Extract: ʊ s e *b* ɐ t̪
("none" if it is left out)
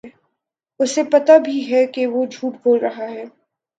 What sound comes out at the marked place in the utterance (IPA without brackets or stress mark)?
p